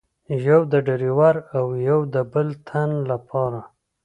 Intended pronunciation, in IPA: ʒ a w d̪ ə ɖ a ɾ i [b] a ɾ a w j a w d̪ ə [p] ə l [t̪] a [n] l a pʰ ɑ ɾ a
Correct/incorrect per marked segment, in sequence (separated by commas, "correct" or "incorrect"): incorrect, incorrect, incorrect, correct